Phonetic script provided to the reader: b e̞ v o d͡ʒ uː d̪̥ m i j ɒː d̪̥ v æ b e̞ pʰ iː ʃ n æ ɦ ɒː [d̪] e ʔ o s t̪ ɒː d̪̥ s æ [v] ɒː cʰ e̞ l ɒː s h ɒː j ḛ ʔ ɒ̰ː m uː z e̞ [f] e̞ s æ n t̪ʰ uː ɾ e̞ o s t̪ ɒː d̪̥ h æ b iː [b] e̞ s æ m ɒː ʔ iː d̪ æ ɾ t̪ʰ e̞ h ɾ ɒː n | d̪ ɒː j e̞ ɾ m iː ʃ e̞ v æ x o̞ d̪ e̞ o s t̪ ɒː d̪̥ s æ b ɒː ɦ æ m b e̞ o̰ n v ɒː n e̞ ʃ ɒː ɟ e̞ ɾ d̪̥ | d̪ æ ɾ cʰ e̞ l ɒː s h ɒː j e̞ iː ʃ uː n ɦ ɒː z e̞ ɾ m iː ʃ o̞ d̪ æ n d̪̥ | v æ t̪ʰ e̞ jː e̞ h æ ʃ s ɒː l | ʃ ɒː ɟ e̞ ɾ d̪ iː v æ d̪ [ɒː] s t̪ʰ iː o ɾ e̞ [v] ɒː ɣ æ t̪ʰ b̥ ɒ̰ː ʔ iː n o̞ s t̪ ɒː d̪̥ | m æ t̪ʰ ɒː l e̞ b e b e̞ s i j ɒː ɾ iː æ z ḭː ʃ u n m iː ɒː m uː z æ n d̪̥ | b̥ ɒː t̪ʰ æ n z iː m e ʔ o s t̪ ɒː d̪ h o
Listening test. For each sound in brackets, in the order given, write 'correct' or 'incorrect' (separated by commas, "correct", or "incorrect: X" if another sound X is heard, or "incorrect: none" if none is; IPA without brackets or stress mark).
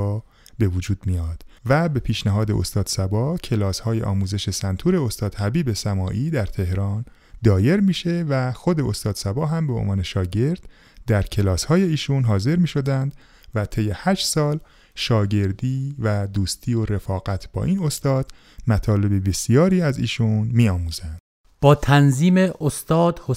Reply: correct, incorrect: b, incorrect: ʃ, correct, incorrect: uː, incorrect: f